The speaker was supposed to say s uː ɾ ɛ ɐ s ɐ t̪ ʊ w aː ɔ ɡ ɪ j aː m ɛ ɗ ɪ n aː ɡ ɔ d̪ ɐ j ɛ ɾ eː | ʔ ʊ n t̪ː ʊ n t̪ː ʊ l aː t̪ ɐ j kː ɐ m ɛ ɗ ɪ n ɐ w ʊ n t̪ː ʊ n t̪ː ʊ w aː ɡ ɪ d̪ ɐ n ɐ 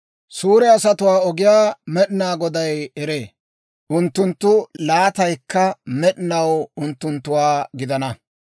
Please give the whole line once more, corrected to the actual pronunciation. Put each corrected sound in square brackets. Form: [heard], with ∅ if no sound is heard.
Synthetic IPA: s uː ɾ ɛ ɐ s ɐ t̪ ʊ w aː ɔ ɡ ɪ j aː m ɛ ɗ ɪ n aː ɡ ɔ d̪ ɐ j ɛ ɾ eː | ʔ ʊ n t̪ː ʊ n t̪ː ʊ l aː t̪ ɐ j kː ɐ m ɛ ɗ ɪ n ɐ w ʊ n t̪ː ʊ n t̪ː ʊ w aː ɡ ɪ d̪ ɐ n ɐ